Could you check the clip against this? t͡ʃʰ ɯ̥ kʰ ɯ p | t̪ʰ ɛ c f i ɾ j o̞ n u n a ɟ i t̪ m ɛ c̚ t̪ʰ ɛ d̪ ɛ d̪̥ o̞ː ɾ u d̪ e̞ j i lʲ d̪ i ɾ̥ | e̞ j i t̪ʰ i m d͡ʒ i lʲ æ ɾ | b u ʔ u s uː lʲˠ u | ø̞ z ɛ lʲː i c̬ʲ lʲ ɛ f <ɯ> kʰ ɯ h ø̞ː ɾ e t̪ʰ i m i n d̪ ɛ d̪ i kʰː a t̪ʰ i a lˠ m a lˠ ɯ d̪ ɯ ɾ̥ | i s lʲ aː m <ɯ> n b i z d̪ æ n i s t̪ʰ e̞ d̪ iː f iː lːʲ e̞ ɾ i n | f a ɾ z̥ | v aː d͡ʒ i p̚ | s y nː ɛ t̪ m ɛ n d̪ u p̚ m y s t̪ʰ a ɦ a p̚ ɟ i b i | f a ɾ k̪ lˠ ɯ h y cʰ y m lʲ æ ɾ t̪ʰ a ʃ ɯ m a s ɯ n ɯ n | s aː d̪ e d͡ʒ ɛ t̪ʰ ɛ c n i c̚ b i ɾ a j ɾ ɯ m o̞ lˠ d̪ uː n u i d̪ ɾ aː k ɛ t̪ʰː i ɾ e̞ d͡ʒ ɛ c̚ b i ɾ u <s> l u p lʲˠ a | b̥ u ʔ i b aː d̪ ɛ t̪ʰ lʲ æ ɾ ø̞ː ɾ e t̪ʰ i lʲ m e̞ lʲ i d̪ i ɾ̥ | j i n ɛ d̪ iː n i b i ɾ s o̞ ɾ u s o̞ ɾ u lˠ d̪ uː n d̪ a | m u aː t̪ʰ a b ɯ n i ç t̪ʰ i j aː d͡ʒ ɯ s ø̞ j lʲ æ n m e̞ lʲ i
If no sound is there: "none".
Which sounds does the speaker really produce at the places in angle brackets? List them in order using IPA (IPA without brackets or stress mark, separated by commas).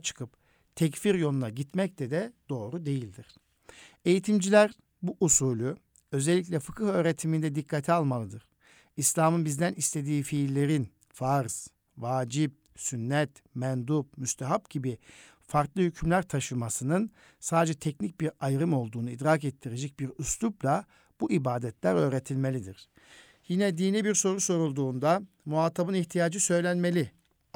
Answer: ɯ, ɯ, s